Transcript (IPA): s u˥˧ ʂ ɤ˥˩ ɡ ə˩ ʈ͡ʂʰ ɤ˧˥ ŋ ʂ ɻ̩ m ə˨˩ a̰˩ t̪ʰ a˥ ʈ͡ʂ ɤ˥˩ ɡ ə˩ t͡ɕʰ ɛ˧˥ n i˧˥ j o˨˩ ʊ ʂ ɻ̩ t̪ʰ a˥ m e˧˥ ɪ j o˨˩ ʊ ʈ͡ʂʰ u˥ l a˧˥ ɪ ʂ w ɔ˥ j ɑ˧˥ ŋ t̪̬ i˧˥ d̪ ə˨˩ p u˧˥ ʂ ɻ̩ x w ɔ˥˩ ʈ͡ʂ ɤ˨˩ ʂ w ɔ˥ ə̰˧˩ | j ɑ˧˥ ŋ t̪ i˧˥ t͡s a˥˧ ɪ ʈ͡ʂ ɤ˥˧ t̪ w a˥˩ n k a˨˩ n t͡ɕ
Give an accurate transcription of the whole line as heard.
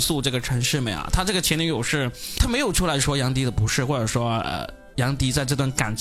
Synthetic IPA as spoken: s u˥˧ ʈ͡ʂ ɤ˥˩ ɡ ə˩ ʈ͡ʂʰ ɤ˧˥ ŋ ʂ ɻ̩ m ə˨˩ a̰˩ t̪ʰ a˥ ʈ͡ʂ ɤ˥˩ ɡ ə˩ t͡ɕʰ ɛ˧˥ n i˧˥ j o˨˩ ʊ ʂ ɻ̩ t̪ʰ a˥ m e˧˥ ɪ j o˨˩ ʊ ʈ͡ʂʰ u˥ l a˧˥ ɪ ʂ w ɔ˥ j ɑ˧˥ ŋ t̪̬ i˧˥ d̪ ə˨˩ p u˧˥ ʂ ɻ̩ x w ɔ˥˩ ʈ͡ʂ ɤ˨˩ ʂ w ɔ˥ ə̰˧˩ | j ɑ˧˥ ŋ t̪ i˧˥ t͡s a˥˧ ɪ ʈ͡ʂ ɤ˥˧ t̪ w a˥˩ n k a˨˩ n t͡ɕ